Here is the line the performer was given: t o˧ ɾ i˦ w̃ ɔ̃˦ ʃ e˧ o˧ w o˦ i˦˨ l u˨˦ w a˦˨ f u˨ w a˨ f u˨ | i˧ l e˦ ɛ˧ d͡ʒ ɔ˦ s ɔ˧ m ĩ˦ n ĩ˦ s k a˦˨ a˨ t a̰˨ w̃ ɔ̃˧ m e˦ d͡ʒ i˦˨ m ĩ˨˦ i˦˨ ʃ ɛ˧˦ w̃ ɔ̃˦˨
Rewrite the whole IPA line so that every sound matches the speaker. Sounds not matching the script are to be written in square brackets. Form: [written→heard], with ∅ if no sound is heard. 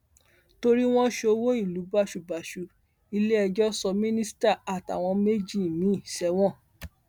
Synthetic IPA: t o˧ ɾ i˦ w̃ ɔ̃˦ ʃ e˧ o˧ w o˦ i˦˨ l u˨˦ [w→b] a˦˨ [f→ʃ] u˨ [w→b] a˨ [f→ʃ] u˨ | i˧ l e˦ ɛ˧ d͡ʒ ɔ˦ s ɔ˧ m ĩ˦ n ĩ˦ s [k→t] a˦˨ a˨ t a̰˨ w̃ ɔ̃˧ m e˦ d͡ʒ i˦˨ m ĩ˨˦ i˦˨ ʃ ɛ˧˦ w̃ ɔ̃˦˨